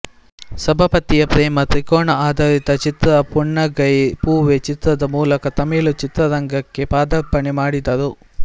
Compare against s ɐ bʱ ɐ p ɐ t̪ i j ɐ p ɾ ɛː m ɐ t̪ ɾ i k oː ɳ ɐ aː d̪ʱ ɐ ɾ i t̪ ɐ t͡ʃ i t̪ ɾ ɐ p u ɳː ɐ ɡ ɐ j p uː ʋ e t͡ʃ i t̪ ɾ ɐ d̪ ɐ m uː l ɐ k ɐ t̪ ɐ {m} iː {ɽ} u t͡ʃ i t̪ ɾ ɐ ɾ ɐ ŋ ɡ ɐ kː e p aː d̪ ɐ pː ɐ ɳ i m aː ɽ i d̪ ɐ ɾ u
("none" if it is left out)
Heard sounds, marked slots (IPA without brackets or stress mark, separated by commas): m, l